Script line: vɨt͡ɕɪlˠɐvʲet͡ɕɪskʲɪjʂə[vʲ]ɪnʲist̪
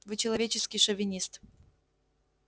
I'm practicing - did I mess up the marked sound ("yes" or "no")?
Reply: no